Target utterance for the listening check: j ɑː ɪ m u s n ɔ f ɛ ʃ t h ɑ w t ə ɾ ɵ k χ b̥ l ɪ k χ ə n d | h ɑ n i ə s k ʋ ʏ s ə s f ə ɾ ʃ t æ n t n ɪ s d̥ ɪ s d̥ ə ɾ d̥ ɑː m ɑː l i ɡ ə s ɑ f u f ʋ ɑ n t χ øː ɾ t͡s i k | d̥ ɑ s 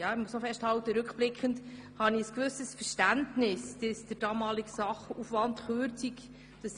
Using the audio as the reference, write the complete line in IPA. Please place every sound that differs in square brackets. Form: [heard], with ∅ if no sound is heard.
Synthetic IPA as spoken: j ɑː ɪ m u s n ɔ f ɛ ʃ t h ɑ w t ə ɾ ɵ k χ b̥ l ɪ k χ ə n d | h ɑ n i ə s k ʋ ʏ s ə s f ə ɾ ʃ t æ n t n ɪ s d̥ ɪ s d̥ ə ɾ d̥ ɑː m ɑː l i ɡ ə s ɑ [χ] u f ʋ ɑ n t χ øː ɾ t͡s i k | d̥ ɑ s